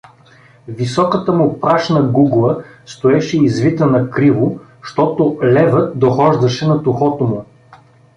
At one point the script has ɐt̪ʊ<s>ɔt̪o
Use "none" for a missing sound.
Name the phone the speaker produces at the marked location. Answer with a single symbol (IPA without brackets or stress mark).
x